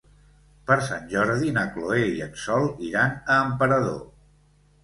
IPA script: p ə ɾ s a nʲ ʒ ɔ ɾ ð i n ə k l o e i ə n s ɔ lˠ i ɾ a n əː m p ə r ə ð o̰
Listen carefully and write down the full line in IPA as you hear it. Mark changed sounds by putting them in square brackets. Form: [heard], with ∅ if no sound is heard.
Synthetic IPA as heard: p ə ɾ s a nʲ ʒ ɔ ɾ ð i n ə k l o e i ə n s ɔ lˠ i ɾ a n əː m p ə [ɾ] ə ð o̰